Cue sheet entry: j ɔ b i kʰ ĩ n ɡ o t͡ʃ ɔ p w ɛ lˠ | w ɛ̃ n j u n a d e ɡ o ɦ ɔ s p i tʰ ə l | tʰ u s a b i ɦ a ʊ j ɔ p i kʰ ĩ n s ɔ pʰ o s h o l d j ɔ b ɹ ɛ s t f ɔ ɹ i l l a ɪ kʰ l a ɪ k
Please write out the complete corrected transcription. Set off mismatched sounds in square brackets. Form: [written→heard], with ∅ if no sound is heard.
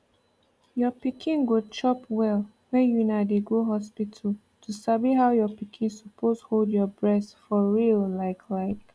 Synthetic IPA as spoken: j ɔ [b→p] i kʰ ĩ n ɡ o t͡ʃ ɔ p w ɛ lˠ | w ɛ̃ n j u n a d e ɡ o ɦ ɔ s p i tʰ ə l | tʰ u s a b i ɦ a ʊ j ɔ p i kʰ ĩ n s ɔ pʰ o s h o l d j ɔ b ɹ ɛ s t f ɔ ɹ i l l a ɪ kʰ l a ɪ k